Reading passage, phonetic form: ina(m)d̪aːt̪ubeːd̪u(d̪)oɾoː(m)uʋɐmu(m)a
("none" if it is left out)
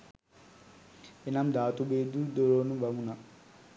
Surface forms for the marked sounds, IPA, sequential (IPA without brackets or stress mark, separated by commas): m, d̪, n, n